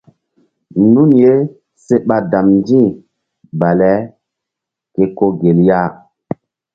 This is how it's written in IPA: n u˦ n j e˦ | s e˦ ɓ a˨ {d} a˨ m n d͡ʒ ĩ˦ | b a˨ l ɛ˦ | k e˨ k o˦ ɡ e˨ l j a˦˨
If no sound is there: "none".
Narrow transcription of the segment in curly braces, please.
d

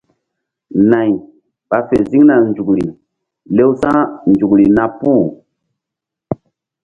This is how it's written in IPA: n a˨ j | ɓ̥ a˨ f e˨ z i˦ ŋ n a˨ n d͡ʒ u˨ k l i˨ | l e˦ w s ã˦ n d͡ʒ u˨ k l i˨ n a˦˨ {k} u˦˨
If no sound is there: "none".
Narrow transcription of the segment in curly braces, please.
p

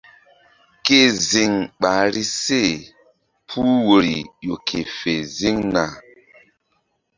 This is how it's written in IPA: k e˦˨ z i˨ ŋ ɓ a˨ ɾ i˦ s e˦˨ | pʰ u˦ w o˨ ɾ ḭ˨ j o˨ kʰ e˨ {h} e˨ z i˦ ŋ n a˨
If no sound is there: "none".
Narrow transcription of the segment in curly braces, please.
f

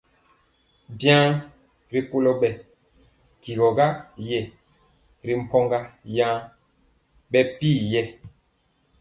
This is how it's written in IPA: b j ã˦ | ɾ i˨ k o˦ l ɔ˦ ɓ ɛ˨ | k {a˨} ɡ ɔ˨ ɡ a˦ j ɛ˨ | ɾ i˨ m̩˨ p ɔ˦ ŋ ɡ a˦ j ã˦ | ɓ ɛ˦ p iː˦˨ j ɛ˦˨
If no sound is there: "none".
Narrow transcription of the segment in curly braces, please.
i˨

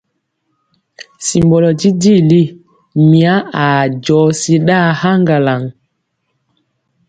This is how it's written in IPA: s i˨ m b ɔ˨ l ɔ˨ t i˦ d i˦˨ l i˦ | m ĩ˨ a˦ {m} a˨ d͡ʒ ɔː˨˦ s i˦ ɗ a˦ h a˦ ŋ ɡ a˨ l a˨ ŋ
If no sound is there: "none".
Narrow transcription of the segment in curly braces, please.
none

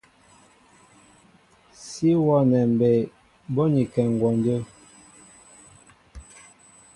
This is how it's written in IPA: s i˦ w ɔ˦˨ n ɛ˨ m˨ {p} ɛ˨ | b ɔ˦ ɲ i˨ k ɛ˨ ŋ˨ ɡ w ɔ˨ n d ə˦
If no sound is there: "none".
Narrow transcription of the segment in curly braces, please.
b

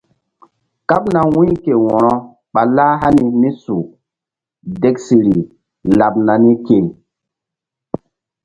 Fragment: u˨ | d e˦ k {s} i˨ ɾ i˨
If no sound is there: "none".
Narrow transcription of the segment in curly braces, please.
s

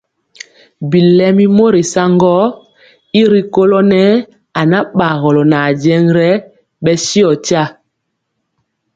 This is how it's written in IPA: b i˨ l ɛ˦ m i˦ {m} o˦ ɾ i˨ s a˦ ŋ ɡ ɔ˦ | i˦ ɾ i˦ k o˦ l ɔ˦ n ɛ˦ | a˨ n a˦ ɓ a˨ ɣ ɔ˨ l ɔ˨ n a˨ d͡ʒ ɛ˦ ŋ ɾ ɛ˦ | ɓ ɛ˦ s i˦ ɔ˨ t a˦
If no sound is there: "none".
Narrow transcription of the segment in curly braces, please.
m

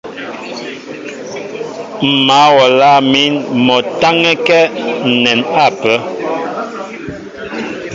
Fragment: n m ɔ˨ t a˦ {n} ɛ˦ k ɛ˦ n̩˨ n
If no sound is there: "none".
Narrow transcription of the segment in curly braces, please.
ŋ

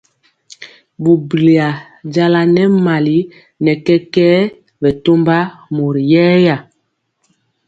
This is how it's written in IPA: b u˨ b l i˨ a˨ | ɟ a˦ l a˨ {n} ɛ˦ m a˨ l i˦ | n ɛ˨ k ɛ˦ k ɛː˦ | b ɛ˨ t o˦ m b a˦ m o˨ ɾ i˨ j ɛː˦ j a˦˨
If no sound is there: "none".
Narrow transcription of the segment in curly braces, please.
n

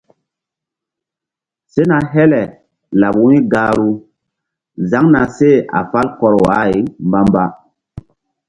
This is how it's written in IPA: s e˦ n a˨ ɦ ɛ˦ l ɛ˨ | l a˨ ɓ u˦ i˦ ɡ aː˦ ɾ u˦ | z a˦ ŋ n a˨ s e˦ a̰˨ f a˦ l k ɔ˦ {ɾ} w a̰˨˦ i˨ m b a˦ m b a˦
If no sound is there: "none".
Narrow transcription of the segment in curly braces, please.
ɾ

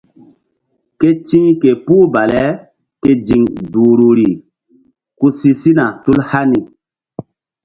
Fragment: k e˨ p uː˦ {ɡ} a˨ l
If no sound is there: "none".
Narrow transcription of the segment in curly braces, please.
b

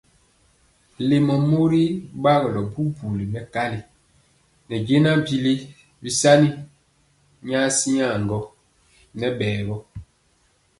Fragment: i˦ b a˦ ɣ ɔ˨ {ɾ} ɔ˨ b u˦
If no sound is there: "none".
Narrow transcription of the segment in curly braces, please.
l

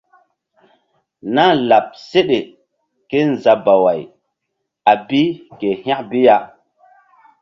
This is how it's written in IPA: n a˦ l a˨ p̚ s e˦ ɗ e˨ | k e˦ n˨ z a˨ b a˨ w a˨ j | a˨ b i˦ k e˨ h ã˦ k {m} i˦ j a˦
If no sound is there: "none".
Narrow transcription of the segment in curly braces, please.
b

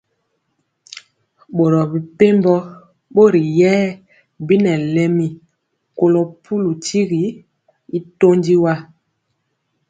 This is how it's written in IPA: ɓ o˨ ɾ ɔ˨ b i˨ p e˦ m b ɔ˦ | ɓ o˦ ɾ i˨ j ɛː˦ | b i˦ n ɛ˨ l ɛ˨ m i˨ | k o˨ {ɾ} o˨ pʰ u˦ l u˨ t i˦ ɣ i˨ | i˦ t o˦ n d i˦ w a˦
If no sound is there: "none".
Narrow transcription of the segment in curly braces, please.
l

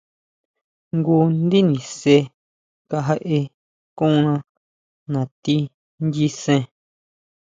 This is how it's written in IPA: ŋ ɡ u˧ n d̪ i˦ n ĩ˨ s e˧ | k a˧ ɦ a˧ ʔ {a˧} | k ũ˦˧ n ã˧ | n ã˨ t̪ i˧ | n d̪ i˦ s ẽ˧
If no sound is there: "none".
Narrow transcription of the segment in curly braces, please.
e˧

